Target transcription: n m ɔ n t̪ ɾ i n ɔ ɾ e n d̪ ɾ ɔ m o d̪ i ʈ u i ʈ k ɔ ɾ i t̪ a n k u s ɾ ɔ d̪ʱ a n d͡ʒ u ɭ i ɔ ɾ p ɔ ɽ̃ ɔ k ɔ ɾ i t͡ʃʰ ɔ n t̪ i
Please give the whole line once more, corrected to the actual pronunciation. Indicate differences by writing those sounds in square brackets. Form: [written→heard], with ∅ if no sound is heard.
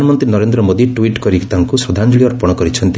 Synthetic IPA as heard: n m ɔ n t̪ ɾ i n ɔ ɾ e n d̪ ɾ ɔ m o d̪ i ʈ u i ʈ k ɔ ɾ i t̪ a [n→ŋ] k u s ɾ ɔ d̪ʱ a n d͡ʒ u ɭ i ɔ ɾ p ɔ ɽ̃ ɔ k ɔ ɾ i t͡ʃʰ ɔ n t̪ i

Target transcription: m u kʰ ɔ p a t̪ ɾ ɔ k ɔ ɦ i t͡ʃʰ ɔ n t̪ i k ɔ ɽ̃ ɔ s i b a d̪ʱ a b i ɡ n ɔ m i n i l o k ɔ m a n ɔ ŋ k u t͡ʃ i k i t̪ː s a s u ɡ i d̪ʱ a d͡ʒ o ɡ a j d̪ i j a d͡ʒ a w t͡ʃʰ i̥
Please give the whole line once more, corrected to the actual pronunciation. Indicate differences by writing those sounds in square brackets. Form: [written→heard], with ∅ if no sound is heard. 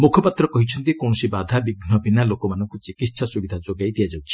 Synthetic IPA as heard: m u kʰ ɔ p a t̪ ɾ ɔ k ɔ ɦ i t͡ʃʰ ɔ n t̪ i k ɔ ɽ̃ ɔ s i b a d̪ʱ a b i ɡ n ɔ [m→b] i n [i→a] l o k ɔ m a n ɔ ŋ k u t͡ʃ i k i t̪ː s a s u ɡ i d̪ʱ a d͡ʒ o ɡ a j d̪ i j a d͡ʒ a w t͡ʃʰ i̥

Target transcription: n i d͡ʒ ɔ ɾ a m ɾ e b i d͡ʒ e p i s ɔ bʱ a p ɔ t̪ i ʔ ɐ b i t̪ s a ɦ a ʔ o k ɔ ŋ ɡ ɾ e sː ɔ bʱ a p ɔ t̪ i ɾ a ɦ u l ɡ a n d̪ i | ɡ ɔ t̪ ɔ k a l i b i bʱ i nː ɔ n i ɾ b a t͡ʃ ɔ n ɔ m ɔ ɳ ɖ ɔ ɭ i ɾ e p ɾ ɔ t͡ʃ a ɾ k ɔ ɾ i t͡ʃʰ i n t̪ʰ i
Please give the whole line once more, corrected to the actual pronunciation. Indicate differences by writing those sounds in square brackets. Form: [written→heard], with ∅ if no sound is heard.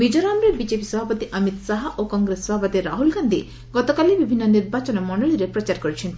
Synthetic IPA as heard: [n→m] i d͡ʒ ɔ ɾ a m ɾ e b i d͡ʒ e p i s ɔ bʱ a p ɔ t̪ i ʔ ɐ [b→m] i t̪ s a ɦ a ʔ o k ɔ ŋ ɡ ɾ e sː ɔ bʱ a p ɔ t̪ i ɾ a ɦ u l ɡ a n d̪ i | ɡ ɔ t̪ ɔ k a l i b i bʱ i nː ɔ n i ɾ b a t͡ʃ ɔ n ɔ m ɔ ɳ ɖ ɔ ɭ i ɾ e p ɾ ɔ t͡ʃ a ɾ k ɔ ɾ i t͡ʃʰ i n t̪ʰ i

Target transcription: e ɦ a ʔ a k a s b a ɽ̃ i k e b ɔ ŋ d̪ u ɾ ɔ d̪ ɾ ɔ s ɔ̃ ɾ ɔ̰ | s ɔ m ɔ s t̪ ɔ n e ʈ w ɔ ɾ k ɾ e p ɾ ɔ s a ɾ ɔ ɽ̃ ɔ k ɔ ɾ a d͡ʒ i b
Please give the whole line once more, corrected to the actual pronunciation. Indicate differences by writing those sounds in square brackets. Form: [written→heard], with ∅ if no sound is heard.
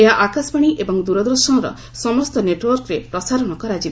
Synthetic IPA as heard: e ɦ a ʔ a k a s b a ɽ̃ i [k→ʔ] e b ɔ ŋ d̪ u ɾ ɔ d̪ ɾ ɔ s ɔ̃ ɾ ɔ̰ | s ɔ m ɔ s t̪ ɔ n e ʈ w ɔ ɾ k ɾ e p ɾ ɔ s a ɾ ɔ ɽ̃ ɔ k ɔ ɾ a d͡ʒ i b

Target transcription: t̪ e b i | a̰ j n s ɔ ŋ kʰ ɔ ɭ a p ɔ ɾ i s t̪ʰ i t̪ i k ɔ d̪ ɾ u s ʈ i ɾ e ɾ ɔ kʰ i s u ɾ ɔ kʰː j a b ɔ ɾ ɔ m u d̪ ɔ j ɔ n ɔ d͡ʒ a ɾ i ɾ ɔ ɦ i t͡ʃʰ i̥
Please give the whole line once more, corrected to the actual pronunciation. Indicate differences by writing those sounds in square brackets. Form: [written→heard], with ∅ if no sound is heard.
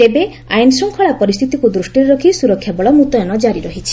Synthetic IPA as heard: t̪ e b [i→e] | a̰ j n s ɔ ŋ kʰ ɔ ɭ a p ɔ ɾ i s t̪ʰ i t̪ i k [ɔ→u] d̪ ɾ u s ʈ i ɾ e ɾ ɔ kʰ i s u ɾ ɔ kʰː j a b ɔ [ɾ→ɭ] ɔ m u [d̪→t̪] ɔ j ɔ n ɔ d͡ʒ a ɾ i ɾ ɔ ɦ i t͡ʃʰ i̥

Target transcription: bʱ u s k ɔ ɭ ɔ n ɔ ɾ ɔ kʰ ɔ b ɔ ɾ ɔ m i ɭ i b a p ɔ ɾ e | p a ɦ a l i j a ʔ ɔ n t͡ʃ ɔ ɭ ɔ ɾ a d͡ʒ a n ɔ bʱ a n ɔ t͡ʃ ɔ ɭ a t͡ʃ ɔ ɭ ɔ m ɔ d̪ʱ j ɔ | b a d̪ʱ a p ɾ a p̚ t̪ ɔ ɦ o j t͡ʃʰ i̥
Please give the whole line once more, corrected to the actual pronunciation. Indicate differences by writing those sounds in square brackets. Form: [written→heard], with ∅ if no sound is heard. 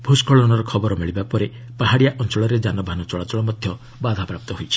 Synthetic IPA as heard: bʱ u s k ɔ ɭ ɔ n ɔ ɾ ɔ kʰ ɔ b ɔ ɾ ɔ m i ɭ i b a p ɔ ɾ e | p a ɦ a [l→ɽ] i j a ʔ ɔ n t͡ʃ ɔ ɭ ɔ ɾ [a→e] d͡ʒ a n ɔ bʱ a n ɔ t͡ʃ ɔ ɭ a t͡ʃ ɔ ɭ ɔ m ɔ d̪ʱ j ɔ | b a d̪ʱ a p ɾ a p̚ t̪ ɔ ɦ o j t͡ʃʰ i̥

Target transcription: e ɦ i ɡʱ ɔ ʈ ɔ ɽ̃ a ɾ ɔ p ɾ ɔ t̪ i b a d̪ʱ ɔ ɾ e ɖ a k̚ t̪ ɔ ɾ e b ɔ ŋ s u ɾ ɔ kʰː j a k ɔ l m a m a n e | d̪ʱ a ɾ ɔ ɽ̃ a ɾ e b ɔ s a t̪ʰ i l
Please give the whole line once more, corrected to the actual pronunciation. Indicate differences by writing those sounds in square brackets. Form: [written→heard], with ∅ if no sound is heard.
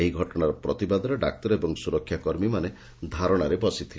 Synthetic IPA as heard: e ɦ i ɡʱ ɔ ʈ ɔ ɽ̃ a ɾ ɔ p ɾ ɔ t̪ i b a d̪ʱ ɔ ɾ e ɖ a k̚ t̪ ɔ ɾ e b ɔ ŋ s u ɾ ɔ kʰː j a k ɔ [l→ɾ] m [a→i] m a n e | d̪ʱ a ɾ ɔ ɽ̃ a ɾ e b ɔ s [a→i] t̪ʰ i l

